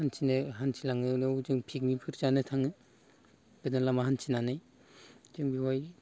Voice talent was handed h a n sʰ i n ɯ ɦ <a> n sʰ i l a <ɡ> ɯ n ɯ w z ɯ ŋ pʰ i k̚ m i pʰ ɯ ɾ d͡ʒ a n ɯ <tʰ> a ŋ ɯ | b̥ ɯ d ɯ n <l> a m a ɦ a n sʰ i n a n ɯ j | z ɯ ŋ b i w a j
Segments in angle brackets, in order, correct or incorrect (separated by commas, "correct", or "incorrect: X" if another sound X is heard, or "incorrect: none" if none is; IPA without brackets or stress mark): correct, incorrect: ŋ, correct, correct